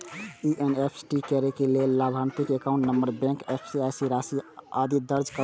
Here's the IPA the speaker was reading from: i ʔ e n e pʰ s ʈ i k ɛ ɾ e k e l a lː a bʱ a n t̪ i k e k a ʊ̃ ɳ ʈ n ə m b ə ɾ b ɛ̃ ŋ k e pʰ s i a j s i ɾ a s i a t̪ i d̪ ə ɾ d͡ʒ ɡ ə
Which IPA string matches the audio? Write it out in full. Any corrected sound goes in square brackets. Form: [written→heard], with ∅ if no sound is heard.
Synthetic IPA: i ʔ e n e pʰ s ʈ i k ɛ ɾ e k e l [a→e] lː a bʱ a n t̪ i k e k a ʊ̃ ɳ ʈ n ə m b ə ɾ b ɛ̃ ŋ k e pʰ s i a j s i ɾ a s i a [t̪→d̪] i d̪ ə ɾ d͡ʒ [ɡ→k] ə